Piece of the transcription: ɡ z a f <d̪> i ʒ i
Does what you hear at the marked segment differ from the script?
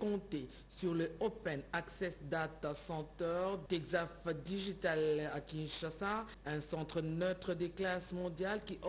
no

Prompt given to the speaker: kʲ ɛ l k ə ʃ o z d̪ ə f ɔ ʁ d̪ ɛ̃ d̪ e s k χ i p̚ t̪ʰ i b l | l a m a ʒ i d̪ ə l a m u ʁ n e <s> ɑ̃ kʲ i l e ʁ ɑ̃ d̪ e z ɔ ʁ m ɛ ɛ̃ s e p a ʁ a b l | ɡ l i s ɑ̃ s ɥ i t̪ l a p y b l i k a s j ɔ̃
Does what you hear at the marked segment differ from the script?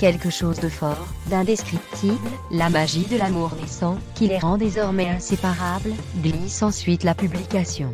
no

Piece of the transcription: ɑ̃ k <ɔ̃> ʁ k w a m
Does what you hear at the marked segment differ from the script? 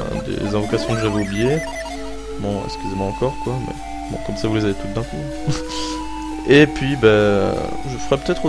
yes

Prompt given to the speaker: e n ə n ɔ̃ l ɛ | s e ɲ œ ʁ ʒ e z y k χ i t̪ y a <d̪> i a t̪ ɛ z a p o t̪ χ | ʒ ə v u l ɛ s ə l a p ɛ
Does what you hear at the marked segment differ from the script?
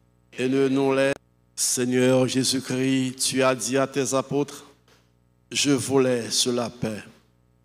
no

